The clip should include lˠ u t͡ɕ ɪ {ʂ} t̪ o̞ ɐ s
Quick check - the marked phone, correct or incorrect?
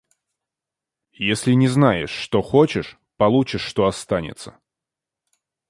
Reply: incorrect